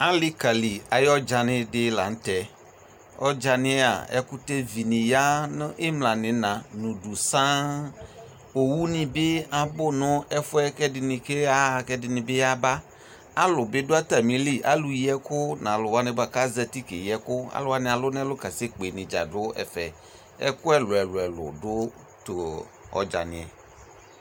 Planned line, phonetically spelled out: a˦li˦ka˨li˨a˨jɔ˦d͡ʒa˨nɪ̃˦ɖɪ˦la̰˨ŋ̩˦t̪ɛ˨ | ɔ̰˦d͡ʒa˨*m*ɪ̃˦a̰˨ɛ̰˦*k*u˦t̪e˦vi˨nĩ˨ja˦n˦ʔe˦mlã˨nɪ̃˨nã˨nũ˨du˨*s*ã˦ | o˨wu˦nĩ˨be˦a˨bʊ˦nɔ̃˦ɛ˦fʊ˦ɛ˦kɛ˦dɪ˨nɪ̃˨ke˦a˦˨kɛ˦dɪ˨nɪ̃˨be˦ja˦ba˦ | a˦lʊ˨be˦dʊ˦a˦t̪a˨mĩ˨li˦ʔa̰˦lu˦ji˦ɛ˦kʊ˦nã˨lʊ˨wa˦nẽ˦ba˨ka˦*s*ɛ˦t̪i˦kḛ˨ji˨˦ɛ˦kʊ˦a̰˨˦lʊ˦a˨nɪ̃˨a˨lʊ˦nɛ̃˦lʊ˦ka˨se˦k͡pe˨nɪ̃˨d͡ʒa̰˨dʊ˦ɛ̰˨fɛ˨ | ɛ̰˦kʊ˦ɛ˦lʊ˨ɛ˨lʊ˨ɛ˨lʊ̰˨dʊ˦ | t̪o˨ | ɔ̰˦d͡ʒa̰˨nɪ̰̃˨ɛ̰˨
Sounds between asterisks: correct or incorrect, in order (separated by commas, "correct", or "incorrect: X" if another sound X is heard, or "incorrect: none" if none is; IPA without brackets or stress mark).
incorrect: n, correct, correct, incorrect: z